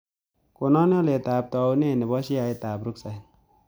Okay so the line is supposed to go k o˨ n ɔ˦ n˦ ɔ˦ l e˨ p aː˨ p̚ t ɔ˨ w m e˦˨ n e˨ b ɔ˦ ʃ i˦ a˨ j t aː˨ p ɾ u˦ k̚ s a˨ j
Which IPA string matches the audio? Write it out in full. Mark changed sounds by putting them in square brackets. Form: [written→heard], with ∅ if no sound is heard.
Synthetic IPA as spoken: k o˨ n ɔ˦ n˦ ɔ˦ l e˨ [p→t] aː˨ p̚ t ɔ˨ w [m→n] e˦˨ n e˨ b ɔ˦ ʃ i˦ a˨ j t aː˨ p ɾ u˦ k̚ s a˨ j

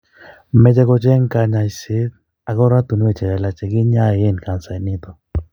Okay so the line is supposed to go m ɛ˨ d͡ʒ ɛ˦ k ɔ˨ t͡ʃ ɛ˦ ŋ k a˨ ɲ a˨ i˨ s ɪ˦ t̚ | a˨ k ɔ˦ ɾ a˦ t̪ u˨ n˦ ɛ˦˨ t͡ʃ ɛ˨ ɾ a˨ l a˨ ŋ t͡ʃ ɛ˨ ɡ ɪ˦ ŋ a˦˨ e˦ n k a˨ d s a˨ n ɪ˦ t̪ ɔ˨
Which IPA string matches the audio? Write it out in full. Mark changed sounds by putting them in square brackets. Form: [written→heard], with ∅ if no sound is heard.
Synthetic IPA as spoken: m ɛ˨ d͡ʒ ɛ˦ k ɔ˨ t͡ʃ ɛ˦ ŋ k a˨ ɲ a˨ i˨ s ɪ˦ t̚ | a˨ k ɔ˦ ɾ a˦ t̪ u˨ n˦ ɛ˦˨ t͡ʃ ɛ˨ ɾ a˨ l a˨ [ŋ→∅] t͡ʃ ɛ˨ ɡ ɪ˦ [ŋ→ɲ] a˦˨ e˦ n k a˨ [d→n] s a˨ n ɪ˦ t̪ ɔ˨

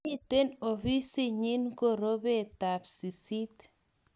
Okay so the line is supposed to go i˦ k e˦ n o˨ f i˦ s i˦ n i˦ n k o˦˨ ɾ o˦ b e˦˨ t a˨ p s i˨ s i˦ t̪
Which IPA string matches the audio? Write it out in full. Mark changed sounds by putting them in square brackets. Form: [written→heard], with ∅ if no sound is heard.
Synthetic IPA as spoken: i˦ [k→t] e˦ n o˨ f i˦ s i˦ [n→ɲ] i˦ n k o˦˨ ɾ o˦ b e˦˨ t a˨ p s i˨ s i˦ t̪

